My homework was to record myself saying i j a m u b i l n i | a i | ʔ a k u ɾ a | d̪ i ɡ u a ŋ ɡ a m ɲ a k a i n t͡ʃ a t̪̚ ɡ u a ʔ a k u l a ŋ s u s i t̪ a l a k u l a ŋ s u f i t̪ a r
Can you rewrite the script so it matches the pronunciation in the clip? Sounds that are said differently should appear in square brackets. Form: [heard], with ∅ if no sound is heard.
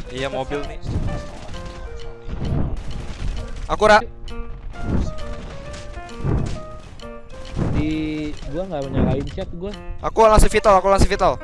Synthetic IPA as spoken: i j a m [o] b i l n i | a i | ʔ a k u ɾ a | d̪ i ɡ u a ŋ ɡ a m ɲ a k a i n t͡ʃ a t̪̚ ɡ u a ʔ a k u l a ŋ s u [f] i t̪ a l a k u l a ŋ s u f i t̪ a [l]